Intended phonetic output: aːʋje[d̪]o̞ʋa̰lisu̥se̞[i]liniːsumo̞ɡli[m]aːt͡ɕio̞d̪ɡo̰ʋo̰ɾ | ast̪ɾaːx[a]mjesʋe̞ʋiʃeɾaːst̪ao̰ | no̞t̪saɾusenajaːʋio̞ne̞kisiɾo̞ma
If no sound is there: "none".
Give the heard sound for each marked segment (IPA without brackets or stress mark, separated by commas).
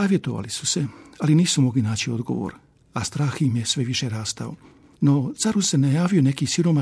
t̪, a, n, i